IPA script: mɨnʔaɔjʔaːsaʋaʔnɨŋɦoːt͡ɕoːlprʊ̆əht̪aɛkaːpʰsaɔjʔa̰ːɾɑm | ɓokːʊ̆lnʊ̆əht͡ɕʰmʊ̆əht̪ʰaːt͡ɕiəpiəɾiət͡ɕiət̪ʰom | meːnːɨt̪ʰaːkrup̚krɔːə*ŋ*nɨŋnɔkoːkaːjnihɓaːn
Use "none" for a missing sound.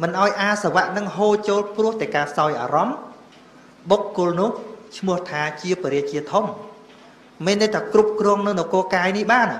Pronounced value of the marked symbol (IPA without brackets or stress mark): ŋ